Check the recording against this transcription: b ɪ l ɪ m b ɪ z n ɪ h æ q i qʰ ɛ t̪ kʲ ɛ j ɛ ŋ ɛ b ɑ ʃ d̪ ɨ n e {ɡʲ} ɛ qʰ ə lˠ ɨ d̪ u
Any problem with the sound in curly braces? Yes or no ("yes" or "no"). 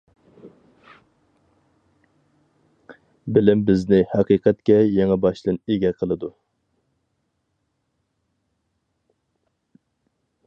no